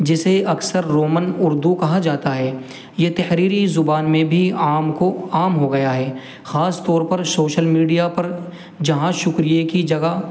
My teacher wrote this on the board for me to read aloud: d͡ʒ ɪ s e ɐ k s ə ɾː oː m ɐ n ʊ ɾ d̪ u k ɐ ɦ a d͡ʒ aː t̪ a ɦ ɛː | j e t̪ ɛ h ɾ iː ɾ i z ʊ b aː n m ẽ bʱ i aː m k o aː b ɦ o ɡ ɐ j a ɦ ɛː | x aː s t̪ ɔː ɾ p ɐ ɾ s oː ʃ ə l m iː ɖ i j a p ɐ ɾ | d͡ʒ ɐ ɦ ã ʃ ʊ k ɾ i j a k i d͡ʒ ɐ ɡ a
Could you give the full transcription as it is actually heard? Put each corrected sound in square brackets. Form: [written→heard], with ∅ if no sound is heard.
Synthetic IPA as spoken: d͡ʒ ɪ s e ɐ k s ə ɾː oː m [ɐ→ə] n ʊ ɾ d̪ u k ɐ ɦ a d͡ʒ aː t̪ a ɦ ɛː | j e t̪ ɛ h ɾ iː ɾ i z ʊ b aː n m ẽ bʱ i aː m k o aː [b→m] ɦ o ɡ ɐ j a ɦ ɛː | x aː s t̪ ɔː ɾ p ɐ ɾ s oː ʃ ə l m iː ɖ i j a p ɐ ɾ | d͡ʒ ɐ ɦ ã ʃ ʊ k ɾ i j [a→e] k i d͡ʒ ɐ ɡ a